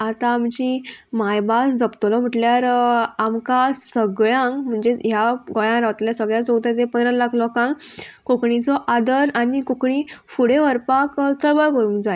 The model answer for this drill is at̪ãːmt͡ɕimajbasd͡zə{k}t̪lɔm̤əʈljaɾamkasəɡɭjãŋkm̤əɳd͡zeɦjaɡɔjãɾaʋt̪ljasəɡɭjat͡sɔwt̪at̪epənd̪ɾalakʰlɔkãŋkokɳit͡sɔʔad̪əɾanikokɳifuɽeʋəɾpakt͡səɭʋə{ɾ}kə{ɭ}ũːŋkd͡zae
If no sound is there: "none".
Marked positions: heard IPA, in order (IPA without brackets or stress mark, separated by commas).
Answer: p, ɭ, ɾ